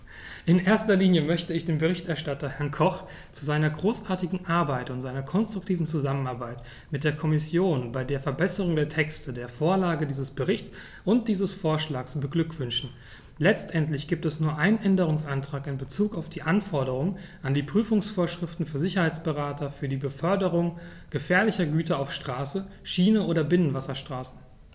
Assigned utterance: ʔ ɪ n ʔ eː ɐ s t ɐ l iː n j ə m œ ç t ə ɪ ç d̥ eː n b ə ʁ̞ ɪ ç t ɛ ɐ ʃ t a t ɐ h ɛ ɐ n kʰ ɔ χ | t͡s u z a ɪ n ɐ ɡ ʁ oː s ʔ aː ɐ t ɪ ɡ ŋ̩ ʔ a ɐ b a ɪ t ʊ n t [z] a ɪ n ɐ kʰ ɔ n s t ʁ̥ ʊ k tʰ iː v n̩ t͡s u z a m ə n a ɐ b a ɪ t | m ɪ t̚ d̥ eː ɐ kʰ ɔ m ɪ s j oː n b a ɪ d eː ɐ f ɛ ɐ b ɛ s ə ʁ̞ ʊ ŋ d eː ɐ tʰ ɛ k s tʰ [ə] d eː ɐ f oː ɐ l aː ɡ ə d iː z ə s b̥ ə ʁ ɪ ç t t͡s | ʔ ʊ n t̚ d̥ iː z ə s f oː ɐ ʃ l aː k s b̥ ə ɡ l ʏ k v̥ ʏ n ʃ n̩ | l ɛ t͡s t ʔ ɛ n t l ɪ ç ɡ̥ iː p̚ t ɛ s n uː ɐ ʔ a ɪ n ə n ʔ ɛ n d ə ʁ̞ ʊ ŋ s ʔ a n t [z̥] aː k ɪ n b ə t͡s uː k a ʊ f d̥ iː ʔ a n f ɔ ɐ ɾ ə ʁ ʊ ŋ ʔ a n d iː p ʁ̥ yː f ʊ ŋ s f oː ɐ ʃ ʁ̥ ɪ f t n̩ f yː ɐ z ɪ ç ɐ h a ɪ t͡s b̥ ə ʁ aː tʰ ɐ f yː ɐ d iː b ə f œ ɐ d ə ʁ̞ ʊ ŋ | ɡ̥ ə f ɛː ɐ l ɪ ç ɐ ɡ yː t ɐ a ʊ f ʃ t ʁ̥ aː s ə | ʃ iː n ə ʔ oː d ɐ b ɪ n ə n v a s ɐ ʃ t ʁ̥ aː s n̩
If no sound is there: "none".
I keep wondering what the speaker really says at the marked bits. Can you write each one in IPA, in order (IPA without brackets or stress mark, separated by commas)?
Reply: z, ə, ʁ̥